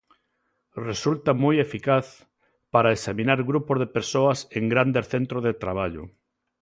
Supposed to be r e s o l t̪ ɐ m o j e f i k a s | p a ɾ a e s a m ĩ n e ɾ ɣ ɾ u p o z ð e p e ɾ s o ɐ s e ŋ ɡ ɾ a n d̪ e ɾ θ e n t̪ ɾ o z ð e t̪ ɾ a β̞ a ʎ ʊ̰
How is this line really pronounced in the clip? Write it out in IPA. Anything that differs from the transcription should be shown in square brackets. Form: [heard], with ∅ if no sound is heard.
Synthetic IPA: r e s [u] l t̪ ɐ m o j e f i k a [θ] | p a ɾ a e s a m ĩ n [a] ɾ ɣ ɾ u p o z ð e p e ɾ s o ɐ s e ŋ ɡ ɾ a n d̪ e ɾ θ e n t̪ ɾ o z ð e t̪ ɾ a β̞ a ʎ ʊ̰